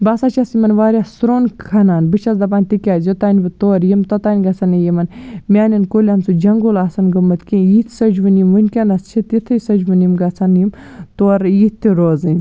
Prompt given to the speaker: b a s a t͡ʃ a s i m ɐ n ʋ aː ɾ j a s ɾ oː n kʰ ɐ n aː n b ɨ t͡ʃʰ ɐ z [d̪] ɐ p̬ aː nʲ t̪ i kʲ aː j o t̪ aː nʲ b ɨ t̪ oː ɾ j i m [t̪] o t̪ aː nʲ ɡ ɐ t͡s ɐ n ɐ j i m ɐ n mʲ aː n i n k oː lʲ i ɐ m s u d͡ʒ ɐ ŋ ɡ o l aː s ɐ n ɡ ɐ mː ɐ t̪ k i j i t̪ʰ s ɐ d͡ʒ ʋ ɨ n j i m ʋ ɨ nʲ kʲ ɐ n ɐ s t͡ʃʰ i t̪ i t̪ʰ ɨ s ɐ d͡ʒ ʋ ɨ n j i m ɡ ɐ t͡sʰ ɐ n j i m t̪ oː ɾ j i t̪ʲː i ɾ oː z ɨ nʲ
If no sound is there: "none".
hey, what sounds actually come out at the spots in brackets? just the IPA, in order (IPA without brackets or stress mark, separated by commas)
d̪, t̪